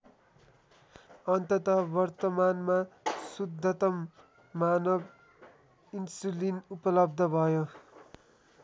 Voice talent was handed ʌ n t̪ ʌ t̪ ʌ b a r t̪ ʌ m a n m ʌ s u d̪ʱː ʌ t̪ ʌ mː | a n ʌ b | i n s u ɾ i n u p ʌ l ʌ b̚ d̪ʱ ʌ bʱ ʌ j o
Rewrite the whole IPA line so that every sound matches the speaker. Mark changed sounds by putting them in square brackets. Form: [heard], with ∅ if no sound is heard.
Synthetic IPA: ʌ n t̪ ʌ t̪ ʌ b [ʌ] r t̪ ʌ m a n m [a] s u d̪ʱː ʌ t̪ ʌ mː | a n ʌ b | i n s u [l] i n u p ʌ l ʌ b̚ d̪ʱ ʌ bʱ ʌ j o